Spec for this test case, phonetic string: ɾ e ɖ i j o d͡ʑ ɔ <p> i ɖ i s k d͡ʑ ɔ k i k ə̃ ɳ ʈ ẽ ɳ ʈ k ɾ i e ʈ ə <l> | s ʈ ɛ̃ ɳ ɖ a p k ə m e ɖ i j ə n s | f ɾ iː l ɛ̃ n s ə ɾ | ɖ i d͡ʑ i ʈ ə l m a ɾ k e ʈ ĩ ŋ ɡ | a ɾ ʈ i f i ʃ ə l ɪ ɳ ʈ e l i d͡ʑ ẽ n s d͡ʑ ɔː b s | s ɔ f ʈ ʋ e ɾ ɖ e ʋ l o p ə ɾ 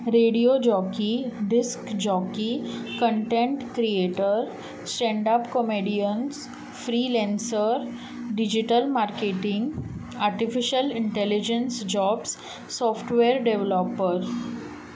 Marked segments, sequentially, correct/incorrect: incorrect: k, incorrect: ɾ

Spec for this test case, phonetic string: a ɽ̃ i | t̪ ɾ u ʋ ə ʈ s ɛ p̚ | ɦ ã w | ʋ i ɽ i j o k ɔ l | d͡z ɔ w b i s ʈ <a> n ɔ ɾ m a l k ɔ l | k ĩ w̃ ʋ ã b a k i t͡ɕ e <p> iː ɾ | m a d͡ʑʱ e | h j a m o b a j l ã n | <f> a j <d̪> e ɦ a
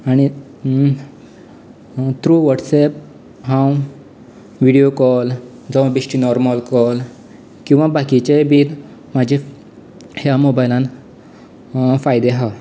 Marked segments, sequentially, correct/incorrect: incorrect: i, incorrect: b, correct, correct

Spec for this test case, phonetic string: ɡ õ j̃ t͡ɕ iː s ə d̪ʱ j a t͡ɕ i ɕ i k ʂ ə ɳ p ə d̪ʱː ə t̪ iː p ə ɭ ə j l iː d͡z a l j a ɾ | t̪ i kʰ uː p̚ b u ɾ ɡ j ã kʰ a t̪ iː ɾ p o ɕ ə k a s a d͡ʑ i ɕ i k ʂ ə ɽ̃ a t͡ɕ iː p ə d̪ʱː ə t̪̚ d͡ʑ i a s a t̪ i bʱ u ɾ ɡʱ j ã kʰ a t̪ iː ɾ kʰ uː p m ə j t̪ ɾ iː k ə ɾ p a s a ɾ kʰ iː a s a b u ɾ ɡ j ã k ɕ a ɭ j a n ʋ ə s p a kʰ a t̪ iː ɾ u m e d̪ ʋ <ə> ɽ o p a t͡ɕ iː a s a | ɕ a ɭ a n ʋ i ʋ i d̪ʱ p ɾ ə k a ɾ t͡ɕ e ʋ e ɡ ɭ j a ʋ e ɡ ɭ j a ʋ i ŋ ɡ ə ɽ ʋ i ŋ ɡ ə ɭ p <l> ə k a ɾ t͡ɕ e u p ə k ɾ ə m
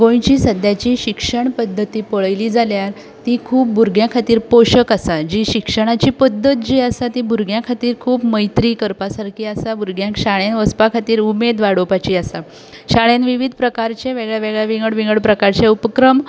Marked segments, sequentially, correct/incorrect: incorrect: a, incorrect: ɾ

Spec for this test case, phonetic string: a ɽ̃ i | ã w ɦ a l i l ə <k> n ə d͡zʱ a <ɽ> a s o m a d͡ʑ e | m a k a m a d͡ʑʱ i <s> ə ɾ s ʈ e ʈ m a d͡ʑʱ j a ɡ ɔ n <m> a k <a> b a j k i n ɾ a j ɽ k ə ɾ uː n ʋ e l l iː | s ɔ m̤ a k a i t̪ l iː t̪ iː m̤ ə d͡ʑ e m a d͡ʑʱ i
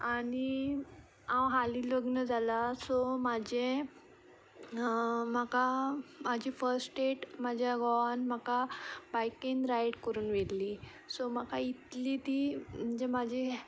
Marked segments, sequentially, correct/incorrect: incorrect: ɡ, incorrect: l, incorrect: f, correct, correct

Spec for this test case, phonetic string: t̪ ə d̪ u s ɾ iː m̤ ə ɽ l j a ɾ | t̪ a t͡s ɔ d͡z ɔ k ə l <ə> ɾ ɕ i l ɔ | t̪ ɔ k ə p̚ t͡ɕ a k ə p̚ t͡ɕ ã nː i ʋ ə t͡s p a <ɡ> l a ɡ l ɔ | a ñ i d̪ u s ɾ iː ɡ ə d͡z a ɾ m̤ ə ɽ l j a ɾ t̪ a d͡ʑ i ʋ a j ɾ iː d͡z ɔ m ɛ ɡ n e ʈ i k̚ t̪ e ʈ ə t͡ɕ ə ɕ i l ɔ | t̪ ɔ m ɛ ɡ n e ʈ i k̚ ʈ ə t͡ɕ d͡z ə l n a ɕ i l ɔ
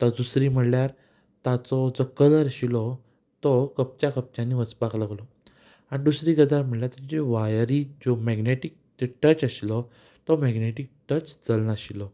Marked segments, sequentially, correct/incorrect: correct, incorrect: k

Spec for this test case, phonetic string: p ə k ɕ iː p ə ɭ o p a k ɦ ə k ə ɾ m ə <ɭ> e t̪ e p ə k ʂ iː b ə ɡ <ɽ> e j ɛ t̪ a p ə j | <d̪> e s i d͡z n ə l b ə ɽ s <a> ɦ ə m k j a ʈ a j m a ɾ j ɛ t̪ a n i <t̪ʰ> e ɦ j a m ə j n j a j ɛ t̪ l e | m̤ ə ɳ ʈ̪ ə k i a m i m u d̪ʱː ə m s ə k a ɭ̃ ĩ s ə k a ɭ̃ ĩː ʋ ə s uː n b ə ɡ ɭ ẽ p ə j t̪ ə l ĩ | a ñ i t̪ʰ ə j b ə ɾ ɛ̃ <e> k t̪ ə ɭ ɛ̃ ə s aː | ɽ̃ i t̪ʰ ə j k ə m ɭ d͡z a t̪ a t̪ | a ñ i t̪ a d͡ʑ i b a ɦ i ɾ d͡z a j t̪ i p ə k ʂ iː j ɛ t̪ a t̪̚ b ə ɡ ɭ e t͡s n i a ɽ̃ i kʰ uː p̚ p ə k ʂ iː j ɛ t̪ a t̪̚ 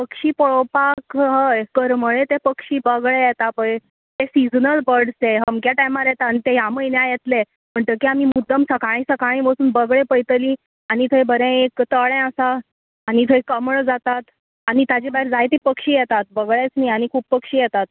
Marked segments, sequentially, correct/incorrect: correct, incorrect: ɭ, incorrect: t̪, incorrect: e, incorrect: t̪, correct

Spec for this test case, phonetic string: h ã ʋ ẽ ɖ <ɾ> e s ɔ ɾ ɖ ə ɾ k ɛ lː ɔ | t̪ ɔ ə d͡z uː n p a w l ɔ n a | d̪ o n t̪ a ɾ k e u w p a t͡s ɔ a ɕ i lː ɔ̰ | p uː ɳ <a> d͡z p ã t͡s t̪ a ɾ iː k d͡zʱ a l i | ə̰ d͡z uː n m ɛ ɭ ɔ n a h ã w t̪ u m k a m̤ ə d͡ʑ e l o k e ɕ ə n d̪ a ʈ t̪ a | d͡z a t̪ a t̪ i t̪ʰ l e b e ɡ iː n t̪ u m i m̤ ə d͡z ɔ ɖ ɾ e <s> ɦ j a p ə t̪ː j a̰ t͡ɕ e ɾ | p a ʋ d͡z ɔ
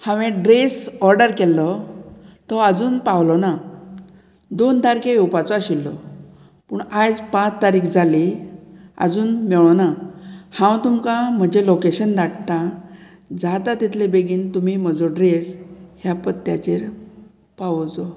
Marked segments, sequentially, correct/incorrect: correct, correct, correct

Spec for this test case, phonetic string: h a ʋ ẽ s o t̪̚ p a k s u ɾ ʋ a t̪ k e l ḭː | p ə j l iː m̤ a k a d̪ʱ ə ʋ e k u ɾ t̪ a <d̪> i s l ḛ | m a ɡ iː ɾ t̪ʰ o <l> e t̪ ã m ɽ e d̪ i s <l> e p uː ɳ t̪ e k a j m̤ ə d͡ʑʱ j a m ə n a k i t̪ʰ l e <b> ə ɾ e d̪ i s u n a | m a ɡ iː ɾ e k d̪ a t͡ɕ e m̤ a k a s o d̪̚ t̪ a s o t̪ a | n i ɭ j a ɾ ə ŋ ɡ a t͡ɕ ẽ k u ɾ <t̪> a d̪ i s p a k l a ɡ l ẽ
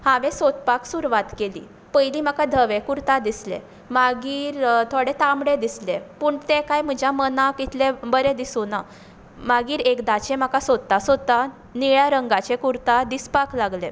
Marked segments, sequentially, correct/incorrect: correct, incorrect: ɽ, correct, correct, correct

